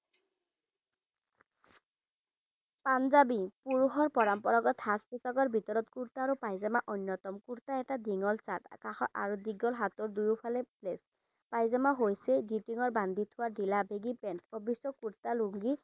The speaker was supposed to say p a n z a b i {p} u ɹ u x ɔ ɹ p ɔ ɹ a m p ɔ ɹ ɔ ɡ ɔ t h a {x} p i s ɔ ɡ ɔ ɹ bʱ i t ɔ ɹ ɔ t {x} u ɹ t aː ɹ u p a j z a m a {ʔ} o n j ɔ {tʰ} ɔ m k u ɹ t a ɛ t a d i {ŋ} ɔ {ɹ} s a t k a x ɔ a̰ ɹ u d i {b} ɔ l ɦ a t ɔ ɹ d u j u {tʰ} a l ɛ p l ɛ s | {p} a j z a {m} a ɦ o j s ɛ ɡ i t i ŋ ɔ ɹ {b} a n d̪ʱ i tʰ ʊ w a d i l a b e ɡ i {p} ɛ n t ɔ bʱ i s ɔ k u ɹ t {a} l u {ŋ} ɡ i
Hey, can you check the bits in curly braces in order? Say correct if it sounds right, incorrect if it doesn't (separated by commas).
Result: correct, incorrect, incorrect, correct, incorrect, correct, incorrect, incorrect, incorrect, correct, correct, correct, correct, correct, correct